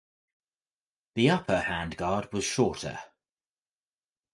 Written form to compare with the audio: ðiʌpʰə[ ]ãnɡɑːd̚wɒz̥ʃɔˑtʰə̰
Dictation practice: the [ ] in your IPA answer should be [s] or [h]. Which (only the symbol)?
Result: h